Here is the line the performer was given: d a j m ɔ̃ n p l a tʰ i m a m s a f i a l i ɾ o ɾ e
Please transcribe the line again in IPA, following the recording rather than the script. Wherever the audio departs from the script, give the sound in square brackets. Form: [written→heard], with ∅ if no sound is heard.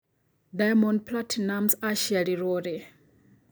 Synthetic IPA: d a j m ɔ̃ n p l a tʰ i [m→n] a m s a [f→ʃ] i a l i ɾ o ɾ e